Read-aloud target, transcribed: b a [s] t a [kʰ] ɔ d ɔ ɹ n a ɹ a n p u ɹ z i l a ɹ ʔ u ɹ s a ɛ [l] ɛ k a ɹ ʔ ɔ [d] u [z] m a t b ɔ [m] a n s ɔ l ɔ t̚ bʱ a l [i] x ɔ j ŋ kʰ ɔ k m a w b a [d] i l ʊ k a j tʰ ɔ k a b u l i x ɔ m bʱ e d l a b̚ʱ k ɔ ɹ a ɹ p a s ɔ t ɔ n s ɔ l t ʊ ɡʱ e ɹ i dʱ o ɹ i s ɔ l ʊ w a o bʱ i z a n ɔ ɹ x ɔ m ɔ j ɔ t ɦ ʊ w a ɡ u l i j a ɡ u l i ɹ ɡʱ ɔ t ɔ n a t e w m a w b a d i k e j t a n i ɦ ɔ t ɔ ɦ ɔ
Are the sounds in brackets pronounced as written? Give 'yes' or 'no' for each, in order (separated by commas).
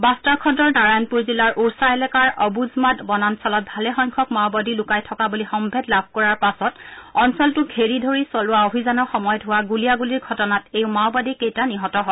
yes, yes, yes, no, yes, no, no, yes